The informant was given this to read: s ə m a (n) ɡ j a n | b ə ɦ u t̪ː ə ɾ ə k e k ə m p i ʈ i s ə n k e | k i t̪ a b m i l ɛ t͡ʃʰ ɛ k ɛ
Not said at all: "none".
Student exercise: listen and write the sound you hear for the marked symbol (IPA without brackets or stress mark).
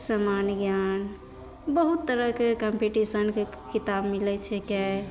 n